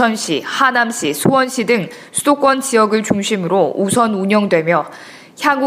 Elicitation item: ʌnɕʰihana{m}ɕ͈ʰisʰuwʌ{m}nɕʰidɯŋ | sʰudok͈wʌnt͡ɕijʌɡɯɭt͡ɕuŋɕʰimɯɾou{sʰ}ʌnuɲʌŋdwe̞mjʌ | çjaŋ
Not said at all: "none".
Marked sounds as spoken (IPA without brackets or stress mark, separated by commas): m, none, sʰ